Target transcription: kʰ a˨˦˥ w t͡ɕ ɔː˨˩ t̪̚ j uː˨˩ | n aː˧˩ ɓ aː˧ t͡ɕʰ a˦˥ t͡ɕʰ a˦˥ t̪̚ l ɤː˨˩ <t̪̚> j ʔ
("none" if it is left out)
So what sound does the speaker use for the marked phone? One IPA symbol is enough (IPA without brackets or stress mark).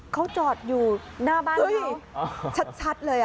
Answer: none